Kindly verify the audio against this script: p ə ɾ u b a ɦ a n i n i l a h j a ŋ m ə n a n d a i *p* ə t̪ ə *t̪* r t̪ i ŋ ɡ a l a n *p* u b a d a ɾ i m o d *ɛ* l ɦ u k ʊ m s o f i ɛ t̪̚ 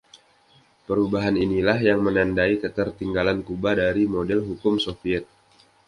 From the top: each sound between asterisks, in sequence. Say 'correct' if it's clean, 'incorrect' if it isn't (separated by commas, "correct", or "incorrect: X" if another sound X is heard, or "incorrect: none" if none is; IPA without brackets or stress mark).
incorrect: k, incorrect: none, incorrect: k, correct